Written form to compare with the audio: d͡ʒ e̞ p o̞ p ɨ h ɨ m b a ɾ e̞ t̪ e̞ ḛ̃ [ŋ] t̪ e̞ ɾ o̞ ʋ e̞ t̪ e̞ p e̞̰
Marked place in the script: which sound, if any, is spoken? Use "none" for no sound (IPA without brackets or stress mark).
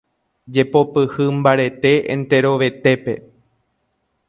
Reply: n